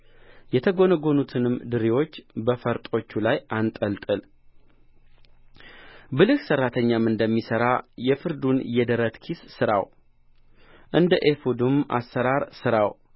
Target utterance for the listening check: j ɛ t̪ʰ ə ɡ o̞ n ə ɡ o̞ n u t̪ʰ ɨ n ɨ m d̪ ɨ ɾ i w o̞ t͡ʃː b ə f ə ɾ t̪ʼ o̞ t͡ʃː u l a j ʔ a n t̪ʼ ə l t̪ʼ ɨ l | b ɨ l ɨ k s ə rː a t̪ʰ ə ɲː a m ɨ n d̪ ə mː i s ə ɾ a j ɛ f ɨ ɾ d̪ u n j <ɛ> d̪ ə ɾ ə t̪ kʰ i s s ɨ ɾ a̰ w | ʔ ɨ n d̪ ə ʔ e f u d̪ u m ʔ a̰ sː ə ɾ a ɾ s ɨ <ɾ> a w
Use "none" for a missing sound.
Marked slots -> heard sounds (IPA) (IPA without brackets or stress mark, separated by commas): ɛ, ɾ